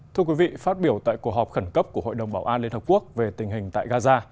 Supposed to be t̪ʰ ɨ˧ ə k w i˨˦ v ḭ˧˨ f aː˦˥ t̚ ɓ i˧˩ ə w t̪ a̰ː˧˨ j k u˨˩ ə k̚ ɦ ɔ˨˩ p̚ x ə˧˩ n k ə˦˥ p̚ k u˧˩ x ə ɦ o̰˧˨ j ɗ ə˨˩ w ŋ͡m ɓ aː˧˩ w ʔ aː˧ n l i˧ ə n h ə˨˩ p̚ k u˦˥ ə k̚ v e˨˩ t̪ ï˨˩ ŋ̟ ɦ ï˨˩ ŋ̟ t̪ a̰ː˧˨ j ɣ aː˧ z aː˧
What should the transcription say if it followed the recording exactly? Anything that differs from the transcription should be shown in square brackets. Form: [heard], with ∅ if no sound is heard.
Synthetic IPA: t̪ʰ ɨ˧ ə k w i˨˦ v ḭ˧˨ f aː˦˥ t̚ ɓ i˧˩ ə w t̪ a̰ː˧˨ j k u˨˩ ə k̚ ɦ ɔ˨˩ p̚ x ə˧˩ n k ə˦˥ p̚ k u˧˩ [∅] ə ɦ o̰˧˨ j ɗ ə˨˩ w ŋ͡m ɓ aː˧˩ w ʔ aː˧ n l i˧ ə n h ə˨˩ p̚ k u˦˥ ə k̚ v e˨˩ t̪ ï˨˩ ŋ̟ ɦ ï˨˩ ŋ̟ t̪ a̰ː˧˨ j ɣ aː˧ z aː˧

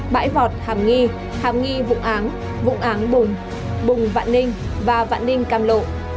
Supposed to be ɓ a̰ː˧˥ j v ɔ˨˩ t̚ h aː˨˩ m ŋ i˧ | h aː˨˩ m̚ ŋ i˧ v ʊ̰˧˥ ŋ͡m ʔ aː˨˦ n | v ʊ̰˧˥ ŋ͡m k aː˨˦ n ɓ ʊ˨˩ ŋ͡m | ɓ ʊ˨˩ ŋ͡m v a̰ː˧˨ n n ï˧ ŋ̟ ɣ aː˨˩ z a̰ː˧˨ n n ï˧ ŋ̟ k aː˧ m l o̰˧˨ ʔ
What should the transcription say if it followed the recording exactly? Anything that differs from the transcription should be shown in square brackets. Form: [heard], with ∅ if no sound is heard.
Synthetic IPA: ɓ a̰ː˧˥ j v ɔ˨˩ t̚ h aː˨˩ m ŋ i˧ | h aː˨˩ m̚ ŋ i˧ v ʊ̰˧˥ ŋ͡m ʔ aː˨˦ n | v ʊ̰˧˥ ŋ͡m [ʔ] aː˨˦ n ɓ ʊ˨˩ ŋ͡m | ɓ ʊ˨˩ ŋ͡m v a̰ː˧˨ n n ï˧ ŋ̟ [v] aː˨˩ [v] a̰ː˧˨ n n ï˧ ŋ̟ k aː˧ m l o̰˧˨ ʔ

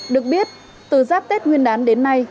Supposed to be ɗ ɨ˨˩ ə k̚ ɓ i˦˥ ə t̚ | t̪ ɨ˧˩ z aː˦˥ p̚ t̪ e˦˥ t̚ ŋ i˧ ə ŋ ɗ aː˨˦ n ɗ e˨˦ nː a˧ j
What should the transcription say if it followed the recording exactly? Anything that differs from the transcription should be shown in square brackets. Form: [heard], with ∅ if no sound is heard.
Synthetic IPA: ɗ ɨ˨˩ ə k̚ ɓ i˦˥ ə t̚ | t̪ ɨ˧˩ z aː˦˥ p̚ t̪ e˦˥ t̚ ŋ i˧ ə [n] ɗ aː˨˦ n ɗ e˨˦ nː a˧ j

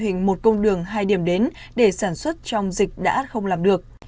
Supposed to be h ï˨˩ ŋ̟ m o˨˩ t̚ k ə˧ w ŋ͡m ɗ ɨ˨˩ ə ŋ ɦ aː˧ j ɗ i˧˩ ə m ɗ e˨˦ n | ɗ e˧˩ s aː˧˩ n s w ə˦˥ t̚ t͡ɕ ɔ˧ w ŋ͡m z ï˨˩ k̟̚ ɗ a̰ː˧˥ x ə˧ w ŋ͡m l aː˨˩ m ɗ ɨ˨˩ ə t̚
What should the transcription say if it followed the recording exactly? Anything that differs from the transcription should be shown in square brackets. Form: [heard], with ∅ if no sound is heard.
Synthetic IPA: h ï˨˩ ŋ̟ m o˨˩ t̚ k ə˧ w ŋ͡m ɗ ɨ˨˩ ə ŋ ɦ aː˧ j ɗ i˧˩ ə m ɗ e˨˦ n | ɗ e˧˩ s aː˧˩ n s w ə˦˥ t̚ t͡ɕ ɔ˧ w ŋ͡m z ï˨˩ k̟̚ ɗ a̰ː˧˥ x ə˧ w ŋ͡m l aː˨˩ m ɗ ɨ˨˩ ə [k̚]

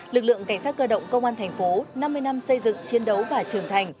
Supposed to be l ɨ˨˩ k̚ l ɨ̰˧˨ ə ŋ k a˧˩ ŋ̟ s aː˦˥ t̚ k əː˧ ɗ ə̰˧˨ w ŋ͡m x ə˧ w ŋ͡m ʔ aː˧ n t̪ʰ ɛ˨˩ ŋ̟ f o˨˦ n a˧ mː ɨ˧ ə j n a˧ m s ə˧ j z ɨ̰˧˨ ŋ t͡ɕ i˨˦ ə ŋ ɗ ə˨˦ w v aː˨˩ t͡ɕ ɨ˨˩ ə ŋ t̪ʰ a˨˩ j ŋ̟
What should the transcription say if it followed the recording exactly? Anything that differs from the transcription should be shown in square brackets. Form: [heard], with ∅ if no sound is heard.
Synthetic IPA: l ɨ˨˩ k̚ l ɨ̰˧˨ ə ŋ k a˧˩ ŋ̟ s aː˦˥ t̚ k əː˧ ɗ ə̰˧˨ w ŋ͡m [k] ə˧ w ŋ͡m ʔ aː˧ n t̪ʰ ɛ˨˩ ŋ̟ f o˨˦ n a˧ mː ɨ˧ ə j n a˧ m s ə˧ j z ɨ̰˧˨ ŋ t͡ɕ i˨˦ ə [n] ɗ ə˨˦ w v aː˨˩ t͡ɕ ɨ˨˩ ə ŋ t̪ʰ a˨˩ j ŋ̟

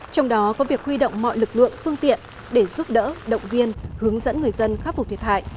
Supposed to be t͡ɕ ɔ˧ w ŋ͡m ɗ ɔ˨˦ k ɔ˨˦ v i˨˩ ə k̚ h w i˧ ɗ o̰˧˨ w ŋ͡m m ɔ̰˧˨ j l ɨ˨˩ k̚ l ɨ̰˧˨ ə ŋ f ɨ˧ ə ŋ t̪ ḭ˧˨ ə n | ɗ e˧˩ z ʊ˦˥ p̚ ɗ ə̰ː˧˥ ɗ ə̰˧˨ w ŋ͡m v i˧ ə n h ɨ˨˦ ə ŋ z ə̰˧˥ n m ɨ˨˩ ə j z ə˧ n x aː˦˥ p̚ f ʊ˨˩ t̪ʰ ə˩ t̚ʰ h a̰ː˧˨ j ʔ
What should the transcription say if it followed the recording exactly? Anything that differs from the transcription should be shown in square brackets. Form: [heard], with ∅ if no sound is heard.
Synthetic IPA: t͡ɕ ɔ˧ w ŋ͡m ɗ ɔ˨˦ k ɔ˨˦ v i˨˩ ə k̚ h w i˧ ɗ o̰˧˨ w ŋ͡m m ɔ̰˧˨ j l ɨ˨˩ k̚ l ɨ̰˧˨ ə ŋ f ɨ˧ ə ŋ t̪ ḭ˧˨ ə n | ɗ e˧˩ z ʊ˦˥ p̚ ɗ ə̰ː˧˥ ɗ ə̰˧˨ w ŋ͡m v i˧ ə n h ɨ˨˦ ə ŋ z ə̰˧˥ n [ŋ] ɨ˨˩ ə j z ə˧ n x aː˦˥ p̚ f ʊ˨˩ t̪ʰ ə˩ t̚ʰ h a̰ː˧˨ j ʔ

